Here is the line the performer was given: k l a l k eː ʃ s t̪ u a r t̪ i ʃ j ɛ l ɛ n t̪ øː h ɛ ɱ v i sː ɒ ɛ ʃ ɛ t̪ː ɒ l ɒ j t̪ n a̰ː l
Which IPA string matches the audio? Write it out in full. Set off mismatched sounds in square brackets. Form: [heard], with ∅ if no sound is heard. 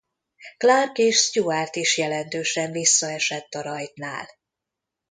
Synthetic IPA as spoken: k l a [r] k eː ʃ s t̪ u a r t̪ i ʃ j ɛ l ɛ n t̪ øː [ʃ] ɛ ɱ v i sː ɒ ɛ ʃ ɛ t̪ː ɒ [ɾ] ɒ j t̪ n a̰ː l